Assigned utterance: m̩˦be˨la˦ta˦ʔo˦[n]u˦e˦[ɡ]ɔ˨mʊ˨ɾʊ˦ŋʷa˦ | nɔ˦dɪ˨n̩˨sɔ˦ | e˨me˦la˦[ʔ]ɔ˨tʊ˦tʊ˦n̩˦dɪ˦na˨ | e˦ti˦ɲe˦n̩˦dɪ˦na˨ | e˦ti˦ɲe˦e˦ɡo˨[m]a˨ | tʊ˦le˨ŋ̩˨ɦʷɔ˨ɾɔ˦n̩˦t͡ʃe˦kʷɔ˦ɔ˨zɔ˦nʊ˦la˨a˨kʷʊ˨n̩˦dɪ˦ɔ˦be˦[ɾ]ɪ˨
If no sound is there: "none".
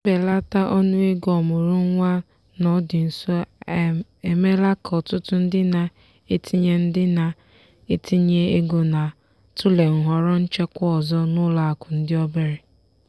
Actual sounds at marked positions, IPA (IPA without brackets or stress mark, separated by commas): n, ɡ, k, n, ɾ